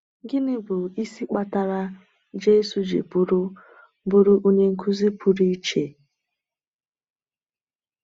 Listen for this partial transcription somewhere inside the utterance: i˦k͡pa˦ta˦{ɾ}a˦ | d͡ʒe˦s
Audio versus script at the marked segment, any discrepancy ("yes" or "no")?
no